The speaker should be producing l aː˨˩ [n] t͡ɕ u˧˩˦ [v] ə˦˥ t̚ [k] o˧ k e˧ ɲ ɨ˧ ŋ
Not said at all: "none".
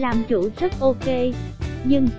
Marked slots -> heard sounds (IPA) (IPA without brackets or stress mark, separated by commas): m, z, ʔ